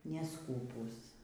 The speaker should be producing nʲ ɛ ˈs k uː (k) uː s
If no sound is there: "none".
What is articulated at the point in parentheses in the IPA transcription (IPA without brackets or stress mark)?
p